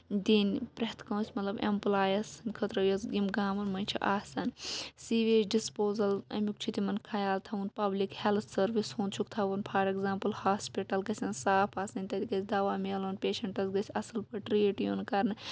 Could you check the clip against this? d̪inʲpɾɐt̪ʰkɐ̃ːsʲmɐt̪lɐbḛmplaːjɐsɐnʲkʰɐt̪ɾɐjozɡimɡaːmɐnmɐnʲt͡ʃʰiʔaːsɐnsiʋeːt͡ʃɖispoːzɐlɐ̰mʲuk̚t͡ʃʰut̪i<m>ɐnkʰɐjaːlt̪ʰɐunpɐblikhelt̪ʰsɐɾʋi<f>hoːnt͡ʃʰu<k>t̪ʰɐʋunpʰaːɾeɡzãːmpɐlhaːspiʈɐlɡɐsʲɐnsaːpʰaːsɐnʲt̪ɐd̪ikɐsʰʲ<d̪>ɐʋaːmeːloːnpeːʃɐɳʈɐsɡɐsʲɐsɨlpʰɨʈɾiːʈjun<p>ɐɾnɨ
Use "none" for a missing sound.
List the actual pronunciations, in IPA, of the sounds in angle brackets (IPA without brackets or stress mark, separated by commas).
m, s, k, d̪, k